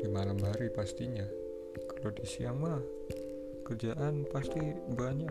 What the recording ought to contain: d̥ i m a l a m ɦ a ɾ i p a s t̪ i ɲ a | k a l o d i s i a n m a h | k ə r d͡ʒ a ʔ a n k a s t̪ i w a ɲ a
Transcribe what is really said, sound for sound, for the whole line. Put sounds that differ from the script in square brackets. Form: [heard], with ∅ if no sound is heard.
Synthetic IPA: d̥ i m a l a m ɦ a ɾ i p a s t̪ i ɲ a | k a l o d i s i a [ŋ] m a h | k ə r d͡ʒ a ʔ a n [p] a s t̪ i [b] a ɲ a